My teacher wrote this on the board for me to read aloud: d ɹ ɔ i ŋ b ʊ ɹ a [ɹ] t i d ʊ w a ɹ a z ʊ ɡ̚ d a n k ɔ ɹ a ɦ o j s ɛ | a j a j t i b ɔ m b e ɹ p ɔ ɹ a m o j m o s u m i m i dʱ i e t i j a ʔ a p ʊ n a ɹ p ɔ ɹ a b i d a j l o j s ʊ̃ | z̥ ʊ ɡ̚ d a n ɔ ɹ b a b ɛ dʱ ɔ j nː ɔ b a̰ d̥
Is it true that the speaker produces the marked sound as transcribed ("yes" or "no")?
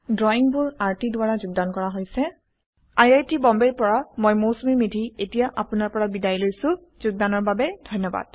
yes